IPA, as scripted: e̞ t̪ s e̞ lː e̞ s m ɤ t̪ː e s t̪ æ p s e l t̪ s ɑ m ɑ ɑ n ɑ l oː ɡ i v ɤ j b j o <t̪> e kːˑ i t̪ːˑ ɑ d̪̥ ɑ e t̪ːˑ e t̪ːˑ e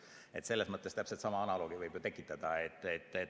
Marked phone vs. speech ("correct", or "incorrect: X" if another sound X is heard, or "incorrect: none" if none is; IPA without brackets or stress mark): correct